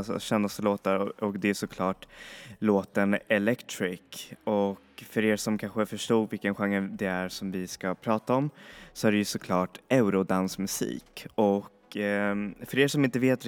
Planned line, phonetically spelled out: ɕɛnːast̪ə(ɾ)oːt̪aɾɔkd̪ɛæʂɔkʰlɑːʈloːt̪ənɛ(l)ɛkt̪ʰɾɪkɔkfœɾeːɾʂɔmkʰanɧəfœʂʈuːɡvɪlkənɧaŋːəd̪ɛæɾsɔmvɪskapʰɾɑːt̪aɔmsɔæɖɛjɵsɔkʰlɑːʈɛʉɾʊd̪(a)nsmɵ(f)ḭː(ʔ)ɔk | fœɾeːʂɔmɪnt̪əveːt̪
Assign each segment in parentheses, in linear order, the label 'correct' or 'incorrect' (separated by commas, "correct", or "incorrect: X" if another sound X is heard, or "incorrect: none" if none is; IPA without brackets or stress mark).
incorrect: l, correct, correct, incorrect: s, incorrect: k